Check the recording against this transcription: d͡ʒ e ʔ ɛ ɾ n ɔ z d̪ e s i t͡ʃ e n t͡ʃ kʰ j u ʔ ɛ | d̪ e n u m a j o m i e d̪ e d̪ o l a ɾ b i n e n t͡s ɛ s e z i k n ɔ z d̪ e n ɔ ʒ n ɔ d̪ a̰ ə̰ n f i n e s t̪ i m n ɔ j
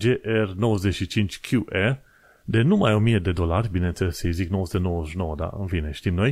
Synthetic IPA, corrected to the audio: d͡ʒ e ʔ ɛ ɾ n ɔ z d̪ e ʃ i t͡ʃ i n t͡ʃ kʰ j u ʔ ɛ | d̪ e n u m a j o m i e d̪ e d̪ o l a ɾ b i n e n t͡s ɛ s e z i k n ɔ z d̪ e n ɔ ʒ n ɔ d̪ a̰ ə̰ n f i n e ʃ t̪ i m n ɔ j